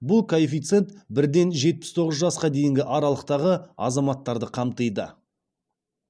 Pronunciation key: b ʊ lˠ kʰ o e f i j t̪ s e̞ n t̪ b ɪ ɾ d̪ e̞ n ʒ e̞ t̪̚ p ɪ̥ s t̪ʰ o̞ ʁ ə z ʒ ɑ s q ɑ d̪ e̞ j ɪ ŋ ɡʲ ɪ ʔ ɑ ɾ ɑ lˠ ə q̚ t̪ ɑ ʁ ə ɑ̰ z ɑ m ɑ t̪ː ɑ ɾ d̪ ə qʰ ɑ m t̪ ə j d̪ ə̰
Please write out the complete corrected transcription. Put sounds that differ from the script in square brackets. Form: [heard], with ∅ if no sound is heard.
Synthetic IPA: b ʊ lˠ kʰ o e f i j t̪ s e̞ n t̪ b ɪ ɾ d̪ e̞ n ʒ e̞ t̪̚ p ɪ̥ s t̪ʰ o̞ ʁ ə z ʒ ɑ s q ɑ d̪ e̞ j ɪ ŋ ɡʲ ɪ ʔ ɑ ɾ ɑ lˠ ə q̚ t̪ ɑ ʁ ə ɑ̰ z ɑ m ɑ t̪ː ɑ ɾ d̪ ə qʰ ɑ m t̪ ə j d̪ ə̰